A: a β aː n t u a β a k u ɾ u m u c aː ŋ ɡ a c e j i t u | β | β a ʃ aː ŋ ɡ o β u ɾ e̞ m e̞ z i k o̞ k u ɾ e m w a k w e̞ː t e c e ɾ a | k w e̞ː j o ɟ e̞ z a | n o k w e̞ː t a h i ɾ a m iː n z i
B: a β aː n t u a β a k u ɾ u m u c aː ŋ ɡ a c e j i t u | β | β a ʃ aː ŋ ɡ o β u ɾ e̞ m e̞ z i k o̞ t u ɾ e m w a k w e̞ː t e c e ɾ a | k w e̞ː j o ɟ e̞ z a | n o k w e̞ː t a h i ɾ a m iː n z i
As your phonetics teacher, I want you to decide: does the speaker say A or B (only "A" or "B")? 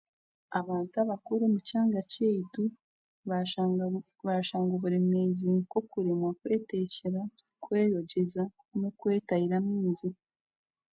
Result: A